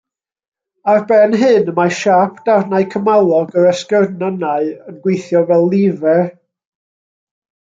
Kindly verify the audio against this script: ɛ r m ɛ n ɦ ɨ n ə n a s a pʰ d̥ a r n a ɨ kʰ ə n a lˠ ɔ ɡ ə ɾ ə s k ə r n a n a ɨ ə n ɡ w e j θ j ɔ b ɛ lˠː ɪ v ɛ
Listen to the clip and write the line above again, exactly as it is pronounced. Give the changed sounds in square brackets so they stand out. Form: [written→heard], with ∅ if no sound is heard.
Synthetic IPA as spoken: [ɛ→a] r [m→b] ɛ n ɦ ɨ n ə [n→m] a [s→ʃ] a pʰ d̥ a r n a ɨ kʰ ə [n→m] a lˠ ɔ ɡ ə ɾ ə s k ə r n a n a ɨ ə n ɡ w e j θ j ɔ [b→v] ɛ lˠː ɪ v ɛ